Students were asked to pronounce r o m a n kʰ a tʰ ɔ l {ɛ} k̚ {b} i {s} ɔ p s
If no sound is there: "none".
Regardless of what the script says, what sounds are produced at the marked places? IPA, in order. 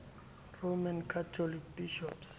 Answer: i, b, ʃ

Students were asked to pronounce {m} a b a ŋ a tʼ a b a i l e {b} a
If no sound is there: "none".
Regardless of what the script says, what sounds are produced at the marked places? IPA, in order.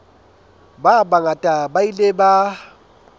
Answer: b, b

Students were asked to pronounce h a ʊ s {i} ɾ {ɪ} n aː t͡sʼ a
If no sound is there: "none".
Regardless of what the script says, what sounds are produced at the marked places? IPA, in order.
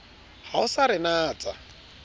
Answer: a, ɪ

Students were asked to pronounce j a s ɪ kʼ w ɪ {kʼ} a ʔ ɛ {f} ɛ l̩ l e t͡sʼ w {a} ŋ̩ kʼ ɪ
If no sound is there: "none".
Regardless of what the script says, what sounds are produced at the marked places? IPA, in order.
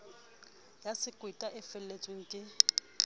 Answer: tʼ, f, e

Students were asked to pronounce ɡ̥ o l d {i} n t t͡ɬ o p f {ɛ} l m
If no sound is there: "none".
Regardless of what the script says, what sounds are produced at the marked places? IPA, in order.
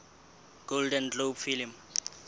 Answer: ɛ, i

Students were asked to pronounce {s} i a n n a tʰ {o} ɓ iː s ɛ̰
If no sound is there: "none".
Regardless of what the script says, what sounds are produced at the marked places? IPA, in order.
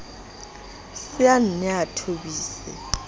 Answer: s, o

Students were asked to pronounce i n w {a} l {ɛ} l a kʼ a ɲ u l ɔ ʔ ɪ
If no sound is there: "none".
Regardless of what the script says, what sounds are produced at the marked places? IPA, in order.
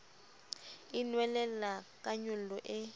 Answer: ɛ, ɛ

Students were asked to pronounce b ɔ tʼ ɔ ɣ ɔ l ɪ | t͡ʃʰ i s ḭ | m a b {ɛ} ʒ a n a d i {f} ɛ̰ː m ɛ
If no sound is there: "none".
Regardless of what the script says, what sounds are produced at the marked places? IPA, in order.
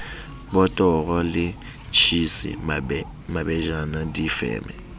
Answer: ɛ, f

